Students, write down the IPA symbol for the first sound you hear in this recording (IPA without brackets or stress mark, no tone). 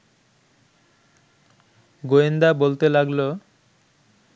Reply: ɡ